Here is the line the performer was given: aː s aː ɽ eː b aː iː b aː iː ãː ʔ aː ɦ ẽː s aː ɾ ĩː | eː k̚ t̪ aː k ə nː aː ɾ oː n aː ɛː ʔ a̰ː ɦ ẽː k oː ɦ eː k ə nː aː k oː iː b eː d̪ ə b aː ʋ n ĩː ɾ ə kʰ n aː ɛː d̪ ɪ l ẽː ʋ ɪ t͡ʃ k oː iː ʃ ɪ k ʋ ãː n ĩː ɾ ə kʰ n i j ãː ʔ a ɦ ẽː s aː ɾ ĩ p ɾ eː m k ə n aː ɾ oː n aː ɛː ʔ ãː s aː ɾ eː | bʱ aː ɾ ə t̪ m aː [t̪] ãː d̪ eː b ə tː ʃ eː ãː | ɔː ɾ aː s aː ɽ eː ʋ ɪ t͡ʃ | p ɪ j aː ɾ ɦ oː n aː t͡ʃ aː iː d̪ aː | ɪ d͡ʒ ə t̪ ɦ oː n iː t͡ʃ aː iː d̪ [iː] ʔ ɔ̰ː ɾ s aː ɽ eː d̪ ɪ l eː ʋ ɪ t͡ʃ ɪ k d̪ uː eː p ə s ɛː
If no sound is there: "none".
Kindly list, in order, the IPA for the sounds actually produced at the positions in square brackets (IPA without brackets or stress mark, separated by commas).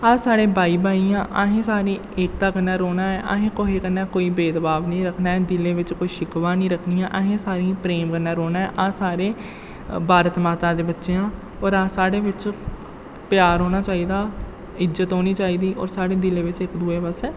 t̪, iː